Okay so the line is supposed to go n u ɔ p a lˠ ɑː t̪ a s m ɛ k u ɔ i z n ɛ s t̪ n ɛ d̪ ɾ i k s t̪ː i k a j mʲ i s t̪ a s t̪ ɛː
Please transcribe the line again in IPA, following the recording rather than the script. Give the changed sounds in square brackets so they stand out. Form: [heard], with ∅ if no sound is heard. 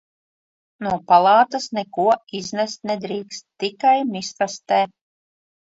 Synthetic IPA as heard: n u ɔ p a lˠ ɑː t̪ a s [n] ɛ k u ɔ i z n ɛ s t̪ n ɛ d̪ ɾ [iː] k s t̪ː i k a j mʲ i s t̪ a s t̪ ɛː